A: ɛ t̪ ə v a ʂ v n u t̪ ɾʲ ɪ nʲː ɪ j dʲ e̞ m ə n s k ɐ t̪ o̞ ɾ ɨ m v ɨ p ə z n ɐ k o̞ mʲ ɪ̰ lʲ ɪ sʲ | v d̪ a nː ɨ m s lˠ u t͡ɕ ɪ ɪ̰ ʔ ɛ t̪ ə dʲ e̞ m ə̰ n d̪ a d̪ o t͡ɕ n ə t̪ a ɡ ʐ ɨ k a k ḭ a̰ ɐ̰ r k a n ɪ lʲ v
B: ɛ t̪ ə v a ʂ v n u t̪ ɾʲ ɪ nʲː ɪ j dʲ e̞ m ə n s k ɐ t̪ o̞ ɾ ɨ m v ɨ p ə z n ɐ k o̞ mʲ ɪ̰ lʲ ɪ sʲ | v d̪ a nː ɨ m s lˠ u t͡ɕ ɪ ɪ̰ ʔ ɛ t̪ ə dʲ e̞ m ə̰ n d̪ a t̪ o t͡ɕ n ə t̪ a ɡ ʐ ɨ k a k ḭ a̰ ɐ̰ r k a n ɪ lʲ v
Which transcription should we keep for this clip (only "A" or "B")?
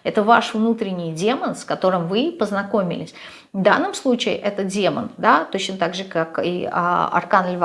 B